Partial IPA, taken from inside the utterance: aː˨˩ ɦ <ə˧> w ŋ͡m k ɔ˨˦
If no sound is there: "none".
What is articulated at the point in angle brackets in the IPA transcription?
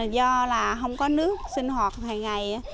ə˧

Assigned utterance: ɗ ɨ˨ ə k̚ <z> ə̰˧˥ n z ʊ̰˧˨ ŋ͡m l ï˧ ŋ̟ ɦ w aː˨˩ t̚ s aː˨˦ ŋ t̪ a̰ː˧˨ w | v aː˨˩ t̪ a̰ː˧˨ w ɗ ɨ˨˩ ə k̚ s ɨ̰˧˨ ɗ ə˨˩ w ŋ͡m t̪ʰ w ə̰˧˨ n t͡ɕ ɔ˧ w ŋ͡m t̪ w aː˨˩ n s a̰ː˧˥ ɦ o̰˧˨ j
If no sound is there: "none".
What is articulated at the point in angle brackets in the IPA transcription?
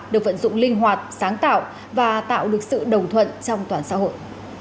v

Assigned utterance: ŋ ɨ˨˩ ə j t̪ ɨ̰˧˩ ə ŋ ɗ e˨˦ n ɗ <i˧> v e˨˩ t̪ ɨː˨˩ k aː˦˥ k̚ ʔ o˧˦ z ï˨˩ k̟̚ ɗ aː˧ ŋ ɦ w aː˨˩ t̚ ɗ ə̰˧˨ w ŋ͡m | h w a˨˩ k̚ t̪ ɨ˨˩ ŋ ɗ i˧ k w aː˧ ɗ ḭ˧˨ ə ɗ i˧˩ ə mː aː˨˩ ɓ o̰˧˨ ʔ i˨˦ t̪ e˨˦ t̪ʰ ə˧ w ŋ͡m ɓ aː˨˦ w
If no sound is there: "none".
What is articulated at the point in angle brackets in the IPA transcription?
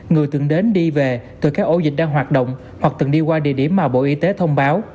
i˧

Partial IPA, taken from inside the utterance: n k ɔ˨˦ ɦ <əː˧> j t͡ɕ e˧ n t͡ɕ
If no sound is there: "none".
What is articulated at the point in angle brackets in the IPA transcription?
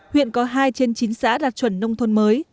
aː˧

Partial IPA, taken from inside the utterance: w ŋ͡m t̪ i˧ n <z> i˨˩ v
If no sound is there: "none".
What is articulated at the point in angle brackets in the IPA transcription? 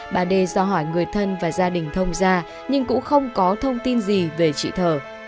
z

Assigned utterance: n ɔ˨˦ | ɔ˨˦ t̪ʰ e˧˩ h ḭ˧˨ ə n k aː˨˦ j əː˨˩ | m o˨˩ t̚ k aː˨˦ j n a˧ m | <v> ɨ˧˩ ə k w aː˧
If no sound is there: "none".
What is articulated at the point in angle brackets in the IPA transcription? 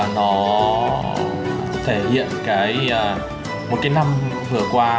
v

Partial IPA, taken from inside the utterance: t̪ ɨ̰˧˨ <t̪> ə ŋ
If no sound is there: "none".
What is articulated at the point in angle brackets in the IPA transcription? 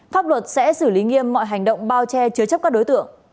none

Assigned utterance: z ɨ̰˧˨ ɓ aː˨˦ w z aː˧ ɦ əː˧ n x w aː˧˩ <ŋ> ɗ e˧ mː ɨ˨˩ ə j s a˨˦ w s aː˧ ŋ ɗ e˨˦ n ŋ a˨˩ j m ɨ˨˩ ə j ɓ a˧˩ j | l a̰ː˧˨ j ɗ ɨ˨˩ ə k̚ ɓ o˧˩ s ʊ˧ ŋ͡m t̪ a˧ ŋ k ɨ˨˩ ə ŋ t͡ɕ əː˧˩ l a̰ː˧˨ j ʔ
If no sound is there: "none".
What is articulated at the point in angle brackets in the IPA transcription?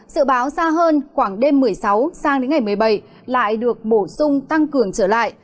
ŋ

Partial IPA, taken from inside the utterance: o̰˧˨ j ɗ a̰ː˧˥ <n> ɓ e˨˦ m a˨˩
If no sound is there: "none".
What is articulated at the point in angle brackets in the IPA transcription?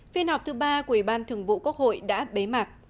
none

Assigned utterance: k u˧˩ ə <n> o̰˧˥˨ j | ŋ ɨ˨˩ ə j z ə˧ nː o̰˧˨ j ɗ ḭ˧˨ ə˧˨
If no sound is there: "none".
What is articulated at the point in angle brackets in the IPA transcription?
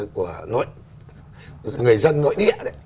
n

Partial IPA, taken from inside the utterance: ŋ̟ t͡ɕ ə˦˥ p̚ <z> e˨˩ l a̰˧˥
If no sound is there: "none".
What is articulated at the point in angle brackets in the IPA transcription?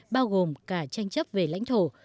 v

